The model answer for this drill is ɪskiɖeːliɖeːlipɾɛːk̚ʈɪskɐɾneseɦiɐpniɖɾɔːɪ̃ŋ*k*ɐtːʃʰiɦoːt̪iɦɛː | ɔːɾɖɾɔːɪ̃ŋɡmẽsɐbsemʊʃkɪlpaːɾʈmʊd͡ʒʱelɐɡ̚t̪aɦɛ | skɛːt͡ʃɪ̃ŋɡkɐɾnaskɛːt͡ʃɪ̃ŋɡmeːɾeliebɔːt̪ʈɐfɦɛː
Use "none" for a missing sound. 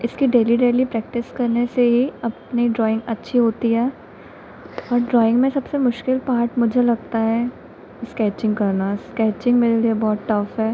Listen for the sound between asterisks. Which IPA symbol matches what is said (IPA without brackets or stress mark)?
ɡ